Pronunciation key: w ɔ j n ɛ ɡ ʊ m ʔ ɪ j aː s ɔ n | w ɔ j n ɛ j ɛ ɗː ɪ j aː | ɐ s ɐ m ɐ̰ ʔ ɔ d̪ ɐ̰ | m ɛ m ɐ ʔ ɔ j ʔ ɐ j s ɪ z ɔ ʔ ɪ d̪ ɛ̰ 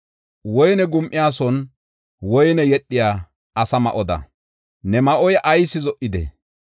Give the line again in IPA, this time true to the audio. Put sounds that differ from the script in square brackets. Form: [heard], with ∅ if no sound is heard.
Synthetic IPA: w ɔ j n ɛ ɡ ʊ m ʔ ɪ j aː s ɔ n | w ɔ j n ɛ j ɛ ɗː ɪ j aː | ɐ s ɐ m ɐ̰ ʔ ɔ d̪ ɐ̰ | [n] ɛ m ɐ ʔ ɔ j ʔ ɐ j s ɪ z ɔ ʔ ɪ d̪ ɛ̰